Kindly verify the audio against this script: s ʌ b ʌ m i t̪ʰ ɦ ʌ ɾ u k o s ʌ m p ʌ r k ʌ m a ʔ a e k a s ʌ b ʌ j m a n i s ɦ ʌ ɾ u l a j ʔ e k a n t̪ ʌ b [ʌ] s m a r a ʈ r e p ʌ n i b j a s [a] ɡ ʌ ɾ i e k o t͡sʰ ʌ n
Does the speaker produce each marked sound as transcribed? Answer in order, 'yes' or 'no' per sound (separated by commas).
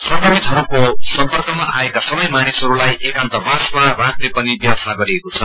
no, yes